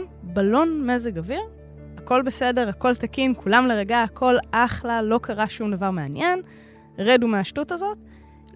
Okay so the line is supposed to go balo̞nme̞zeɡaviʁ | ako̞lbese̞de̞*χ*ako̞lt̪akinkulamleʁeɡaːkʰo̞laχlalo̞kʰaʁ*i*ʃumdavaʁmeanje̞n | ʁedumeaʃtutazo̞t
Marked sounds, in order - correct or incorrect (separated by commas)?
incorrect, incorrect